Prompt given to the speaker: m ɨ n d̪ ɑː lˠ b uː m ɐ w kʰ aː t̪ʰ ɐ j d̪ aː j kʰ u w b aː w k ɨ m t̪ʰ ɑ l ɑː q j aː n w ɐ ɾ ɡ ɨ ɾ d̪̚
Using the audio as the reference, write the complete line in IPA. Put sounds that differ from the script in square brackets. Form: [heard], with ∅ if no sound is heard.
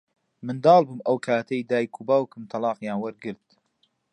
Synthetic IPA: m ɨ n d̪ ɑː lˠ b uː m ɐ w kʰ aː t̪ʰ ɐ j d̪ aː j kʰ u [∅] b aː w k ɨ m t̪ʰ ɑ l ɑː q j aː n w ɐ ɾ ɡ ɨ ɾ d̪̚

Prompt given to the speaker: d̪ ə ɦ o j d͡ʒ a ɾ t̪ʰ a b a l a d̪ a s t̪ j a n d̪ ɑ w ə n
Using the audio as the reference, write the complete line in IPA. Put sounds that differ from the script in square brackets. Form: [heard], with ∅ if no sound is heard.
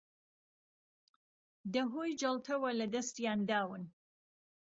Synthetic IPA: d̪ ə ɦ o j d͡ʒ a [l] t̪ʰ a [w] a l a d̪ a s t̪ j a n d̪ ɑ w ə n

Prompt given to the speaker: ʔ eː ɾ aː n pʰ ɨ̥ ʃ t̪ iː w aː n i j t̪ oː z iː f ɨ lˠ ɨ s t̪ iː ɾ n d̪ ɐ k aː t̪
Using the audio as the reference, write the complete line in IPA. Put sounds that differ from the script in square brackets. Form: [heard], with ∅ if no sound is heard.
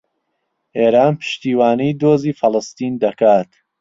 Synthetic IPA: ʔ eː ɾ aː n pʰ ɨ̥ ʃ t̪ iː w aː n i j [d̪] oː z iː f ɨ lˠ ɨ s t̪ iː [∅] n d̪ ɐ k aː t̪

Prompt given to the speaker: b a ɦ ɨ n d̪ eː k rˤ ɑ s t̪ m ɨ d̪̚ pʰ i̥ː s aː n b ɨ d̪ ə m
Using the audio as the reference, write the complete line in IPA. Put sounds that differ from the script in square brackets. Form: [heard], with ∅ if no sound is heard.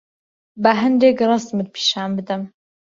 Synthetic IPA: b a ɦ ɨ n d̪ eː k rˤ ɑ s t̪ m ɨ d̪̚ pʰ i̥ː [ʃ] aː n b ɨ d̪ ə m

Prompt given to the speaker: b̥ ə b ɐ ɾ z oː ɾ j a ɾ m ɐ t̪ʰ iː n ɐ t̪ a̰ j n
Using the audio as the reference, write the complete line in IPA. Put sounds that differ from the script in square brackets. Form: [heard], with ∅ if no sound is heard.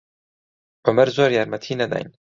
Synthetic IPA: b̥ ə [m] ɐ ɾ z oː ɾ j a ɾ m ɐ t̪ʰ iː n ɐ [d̪] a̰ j n

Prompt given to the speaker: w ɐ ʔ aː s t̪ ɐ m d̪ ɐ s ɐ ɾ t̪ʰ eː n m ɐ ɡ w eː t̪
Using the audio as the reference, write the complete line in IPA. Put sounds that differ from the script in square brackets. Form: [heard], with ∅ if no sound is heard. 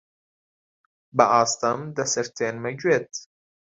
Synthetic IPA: [b] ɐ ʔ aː s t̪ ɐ m d̪ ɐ s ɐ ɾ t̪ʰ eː n m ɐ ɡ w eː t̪

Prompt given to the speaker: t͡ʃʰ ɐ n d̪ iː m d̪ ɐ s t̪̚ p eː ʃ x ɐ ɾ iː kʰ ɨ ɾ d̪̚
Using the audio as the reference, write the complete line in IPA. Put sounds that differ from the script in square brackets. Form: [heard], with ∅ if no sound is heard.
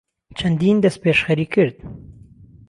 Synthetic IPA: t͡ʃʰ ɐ n d̪ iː [n] d̪ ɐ s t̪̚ p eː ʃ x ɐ ɾ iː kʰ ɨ ɾ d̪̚

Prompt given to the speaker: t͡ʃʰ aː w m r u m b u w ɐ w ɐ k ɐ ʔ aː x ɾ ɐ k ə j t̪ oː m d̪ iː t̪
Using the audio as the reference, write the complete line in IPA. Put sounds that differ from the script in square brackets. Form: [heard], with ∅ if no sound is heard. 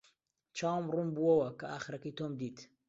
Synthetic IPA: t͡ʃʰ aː w m r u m b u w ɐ w ɐ k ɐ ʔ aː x ɾ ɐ k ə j t̪ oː m d̪ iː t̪

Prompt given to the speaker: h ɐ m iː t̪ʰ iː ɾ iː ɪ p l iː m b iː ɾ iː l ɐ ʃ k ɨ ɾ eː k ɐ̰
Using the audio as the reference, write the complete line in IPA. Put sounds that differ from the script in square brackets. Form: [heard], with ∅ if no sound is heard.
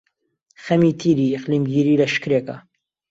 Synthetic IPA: [x] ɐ m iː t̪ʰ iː ɾ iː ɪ [q] l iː m [ɡ] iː ɾ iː l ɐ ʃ k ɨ ɾ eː k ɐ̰

